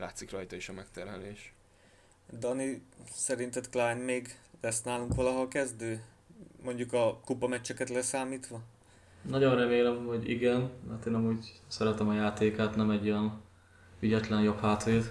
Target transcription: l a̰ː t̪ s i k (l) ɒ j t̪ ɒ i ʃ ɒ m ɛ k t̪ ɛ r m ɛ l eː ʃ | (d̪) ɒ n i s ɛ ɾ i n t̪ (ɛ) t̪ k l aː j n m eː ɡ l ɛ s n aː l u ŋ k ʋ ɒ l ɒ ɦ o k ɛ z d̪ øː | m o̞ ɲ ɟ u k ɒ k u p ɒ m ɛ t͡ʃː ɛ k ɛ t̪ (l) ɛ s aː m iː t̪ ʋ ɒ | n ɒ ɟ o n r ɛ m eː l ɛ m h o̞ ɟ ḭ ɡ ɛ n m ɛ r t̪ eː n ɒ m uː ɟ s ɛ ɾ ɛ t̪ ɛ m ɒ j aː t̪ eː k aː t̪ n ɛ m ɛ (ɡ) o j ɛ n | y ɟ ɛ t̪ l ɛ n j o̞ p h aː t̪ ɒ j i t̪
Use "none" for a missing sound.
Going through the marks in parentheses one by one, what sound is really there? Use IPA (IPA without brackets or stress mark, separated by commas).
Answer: r, d̪, ɛ, l, ɟ